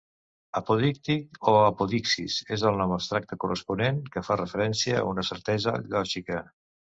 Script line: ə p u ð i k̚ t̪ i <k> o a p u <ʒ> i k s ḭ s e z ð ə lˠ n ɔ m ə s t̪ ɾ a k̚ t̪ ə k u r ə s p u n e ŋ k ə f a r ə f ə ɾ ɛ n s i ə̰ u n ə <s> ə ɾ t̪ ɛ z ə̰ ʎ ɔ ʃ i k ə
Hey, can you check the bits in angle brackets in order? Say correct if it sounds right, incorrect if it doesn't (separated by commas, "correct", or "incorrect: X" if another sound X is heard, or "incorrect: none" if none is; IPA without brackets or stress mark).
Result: correct, incorrect: ð, correct